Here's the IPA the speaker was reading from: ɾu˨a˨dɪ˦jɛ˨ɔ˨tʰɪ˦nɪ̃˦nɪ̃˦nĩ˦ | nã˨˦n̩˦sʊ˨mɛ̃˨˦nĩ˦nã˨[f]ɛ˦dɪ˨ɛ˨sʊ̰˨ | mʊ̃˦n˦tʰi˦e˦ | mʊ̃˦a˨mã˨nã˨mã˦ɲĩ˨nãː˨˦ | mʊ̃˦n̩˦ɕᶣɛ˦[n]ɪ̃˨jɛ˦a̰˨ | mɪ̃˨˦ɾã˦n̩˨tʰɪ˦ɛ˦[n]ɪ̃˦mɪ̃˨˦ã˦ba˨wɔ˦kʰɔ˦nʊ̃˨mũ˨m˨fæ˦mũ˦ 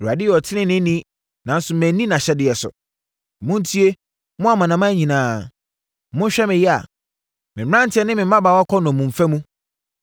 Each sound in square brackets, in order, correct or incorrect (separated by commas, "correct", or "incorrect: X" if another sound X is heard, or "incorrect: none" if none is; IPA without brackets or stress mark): incorrect: ɕ, incorrect: m, correct